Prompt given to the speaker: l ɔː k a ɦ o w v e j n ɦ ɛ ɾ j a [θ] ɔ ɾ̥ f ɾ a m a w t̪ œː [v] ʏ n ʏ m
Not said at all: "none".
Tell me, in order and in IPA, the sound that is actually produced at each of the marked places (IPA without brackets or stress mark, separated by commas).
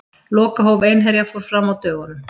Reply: f, ɣ